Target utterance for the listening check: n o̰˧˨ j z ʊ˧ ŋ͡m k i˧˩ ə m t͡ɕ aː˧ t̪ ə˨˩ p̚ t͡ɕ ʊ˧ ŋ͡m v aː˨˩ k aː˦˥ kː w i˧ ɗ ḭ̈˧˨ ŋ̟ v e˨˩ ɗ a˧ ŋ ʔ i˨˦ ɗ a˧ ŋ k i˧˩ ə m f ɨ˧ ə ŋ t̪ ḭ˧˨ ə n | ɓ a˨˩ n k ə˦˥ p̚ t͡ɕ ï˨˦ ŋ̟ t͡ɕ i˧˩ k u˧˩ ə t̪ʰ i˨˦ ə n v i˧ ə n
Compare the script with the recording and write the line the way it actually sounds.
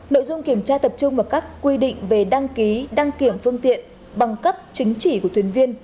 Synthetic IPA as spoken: n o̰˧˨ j z ʊ˧ ŋ͡m k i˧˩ ə m t͡ɕ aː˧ t̪ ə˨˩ p̚ t͡ɕ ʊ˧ ŋ͡m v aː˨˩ k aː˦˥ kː w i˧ ɗ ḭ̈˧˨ ŋ̟ v e˨˩ ɗ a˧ ŋ k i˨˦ ɗ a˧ ŋ k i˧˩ ə m f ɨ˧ ə ŋ t̪ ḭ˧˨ ə n | ɓ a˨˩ ŋ k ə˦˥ p̚ t͡ɕ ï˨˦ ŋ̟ t͡ɕ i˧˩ k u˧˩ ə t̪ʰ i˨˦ ə n v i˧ ə n

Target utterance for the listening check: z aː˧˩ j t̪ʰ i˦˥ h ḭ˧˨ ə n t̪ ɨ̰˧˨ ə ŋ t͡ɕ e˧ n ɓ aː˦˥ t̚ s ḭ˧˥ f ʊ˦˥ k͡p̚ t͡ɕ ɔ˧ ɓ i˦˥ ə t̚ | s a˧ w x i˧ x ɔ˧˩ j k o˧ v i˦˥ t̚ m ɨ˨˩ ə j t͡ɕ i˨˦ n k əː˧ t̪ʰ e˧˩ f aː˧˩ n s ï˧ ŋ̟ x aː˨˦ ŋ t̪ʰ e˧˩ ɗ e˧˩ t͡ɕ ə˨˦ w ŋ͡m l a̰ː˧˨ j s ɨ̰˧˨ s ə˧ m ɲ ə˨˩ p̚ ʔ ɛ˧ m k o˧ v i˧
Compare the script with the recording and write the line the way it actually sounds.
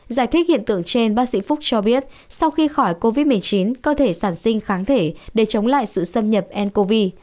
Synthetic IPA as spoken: z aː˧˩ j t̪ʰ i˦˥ h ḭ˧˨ ə n t̪ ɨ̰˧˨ ə ŋ t͡ɕ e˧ n ɓ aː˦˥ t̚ s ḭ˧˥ f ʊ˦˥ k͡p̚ t͡ɕ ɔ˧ ɓ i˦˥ ə t̚ | s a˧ w x i˧ x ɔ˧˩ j k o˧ v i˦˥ t̚ m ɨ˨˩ ə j t͡ɕ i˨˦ n k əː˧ t̪ʰ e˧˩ s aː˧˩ n s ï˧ ŋ̟ x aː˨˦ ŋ t̪ʰ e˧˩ ɗ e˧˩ t͡ɕ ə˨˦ w ŋ͡m l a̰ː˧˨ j s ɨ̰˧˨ s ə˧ m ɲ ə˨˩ p̚ ʔ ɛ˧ n k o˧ v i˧

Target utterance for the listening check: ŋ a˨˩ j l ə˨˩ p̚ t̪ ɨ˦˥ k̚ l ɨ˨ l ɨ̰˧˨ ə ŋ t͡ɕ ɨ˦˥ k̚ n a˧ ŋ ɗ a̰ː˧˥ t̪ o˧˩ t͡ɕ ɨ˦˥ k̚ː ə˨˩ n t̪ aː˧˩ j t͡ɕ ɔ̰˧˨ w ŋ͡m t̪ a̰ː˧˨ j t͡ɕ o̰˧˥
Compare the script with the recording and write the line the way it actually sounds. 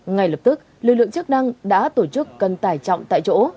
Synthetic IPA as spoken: ŋ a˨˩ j l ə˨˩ p̚ t̪ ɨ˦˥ k̚ l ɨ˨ l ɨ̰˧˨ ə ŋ t͡ɕ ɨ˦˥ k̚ n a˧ ŋ ɗ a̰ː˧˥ t̪ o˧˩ t͡ɕ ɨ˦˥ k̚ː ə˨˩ n t̪ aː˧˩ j t͡ɕ ɔ̰˧˨ w ŋ͡m t̪ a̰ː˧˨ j t͡ɕ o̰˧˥

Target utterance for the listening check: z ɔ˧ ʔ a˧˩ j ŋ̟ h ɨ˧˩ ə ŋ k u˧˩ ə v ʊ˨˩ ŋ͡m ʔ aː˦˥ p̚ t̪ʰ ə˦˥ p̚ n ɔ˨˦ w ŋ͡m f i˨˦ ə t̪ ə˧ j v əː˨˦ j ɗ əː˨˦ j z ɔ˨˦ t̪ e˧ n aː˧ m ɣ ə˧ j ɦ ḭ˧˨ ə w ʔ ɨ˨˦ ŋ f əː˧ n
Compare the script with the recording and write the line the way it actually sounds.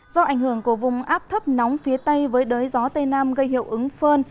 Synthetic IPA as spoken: z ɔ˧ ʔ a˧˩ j ŋ̟ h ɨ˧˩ ə ŋ k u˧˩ ə v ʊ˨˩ ŋ͡m ʔ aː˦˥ p̚ t̪ʰ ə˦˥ p̚ n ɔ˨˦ w ŋ͡m f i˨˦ ə t̪ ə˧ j v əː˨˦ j ɗ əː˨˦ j z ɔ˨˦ t̪ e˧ n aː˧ m ɣ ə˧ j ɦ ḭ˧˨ ə w ʔ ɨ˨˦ ŋ f əː˧ n

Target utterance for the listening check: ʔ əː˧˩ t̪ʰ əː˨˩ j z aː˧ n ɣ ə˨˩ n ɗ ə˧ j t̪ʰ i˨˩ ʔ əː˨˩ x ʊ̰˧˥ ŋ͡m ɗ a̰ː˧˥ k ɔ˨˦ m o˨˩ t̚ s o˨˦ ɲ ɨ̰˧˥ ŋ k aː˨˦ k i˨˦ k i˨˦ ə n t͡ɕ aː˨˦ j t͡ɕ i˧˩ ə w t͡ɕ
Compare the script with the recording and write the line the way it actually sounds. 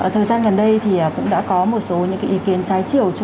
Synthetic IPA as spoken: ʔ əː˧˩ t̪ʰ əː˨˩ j z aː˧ n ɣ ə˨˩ n ɗ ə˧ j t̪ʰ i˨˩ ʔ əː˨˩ k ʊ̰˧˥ ŋ͡m ɗ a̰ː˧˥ k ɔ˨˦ m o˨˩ t̚ s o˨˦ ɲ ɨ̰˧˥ ŋ k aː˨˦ ʔ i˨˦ k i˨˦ ə n t͡ɕ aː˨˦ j t͡ɕ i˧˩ ə w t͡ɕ

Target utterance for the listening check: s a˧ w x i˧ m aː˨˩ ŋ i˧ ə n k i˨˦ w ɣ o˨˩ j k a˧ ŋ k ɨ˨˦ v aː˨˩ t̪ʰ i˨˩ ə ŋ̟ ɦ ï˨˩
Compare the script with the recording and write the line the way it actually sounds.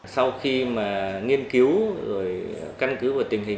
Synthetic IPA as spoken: s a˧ w x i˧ m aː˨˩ ŋ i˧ ə n k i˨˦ w z o˨˩ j k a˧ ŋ k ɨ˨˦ v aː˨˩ t̪ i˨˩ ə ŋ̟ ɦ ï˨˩

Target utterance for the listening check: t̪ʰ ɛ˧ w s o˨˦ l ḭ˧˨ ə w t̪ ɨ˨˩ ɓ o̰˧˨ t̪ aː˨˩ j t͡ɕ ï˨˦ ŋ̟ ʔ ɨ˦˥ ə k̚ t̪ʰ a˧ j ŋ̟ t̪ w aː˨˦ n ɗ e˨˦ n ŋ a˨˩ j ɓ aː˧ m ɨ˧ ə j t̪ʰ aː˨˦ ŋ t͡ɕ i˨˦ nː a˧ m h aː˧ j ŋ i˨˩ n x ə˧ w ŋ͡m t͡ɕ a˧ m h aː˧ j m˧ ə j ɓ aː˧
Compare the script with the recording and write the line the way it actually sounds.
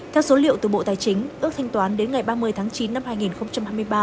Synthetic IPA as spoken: t̪ʰ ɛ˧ w s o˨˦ l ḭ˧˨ ə w t̪ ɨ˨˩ ɓ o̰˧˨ t̪ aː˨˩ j t͡ɕ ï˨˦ ŋ̟ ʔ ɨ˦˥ ə k̚ t̪ʰ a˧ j ŋ̟ t̪ w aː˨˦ n ɗ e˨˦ n ŋ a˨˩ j ɓ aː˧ m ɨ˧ ə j t̪ʰ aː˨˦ ŋ t͡ɕ i˨˦ nː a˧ m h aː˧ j ŋ i˨˩ n x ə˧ w ŋ͡m t͡ɕ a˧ m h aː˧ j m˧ ə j ɓ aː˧

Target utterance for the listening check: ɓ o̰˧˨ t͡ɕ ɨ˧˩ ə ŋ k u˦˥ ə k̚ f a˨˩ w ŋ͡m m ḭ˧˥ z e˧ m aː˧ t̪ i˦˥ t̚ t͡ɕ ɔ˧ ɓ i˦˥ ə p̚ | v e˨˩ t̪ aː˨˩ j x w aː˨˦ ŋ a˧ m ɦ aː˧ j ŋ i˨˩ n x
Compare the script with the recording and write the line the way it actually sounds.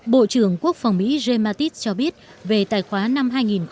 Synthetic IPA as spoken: ɓ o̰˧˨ t͡ɕ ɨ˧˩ ə ŋ k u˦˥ ə k̚ f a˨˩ w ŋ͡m m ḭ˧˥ z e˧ m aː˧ t̪ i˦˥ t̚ t͡ɕ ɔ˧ ɓ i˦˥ ə t̚ | v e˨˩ t̪ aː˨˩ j x w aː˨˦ n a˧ m ɦ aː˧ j ŋ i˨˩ n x

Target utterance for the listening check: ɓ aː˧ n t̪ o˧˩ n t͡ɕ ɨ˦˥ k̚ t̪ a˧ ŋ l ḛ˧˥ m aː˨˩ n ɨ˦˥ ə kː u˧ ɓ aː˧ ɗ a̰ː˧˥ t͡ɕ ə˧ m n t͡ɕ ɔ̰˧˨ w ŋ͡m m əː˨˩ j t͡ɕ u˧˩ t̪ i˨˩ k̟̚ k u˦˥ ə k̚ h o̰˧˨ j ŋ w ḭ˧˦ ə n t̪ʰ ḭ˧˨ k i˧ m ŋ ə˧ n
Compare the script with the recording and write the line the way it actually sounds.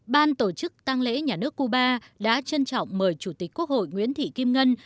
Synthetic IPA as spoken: ɓ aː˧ n t̪ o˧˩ t͡ɕ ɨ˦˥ k̚ t̪ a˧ ŋ l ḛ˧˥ ɲ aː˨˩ n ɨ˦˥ ə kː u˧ ɓ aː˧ ɗ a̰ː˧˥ t͡ɕ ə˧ n t͡ɕ ɔ̰˧˨ w ŋ͡m m əː˨˩ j t͡ɕ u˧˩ t̪ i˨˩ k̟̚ k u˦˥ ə k̚ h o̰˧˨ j ŋ w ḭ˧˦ ə n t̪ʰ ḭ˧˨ k i˧ m ŋ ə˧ n

